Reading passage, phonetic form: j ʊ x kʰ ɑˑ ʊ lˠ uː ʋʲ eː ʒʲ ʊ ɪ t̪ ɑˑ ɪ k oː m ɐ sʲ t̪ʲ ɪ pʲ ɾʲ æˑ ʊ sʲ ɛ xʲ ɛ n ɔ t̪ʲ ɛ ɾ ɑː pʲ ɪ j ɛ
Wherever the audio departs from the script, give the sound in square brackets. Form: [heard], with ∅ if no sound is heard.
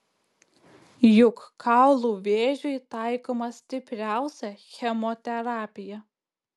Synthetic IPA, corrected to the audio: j ʊ [k] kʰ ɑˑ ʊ lˠ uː ʋʲ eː ʒʲ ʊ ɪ t̪ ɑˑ ɪ k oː m ɐ sʲ t̪ʲ ɪ pʲ ɾʲ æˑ ʊ sʲ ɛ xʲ ɛ [m] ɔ t̪ʲ ɛ ɾ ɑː pʲ ɪ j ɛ